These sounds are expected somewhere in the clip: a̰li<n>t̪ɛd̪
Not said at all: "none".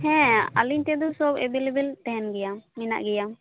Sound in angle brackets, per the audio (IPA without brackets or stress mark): ɲ